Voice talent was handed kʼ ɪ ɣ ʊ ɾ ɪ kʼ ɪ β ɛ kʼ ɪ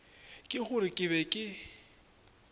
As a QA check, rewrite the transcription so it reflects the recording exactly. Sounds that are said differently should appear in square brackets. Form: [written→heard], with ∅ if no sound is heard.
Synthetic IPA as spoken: kʼ ɪ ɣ ʊ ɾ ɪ kʼ ɪ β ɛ kʼ ɪ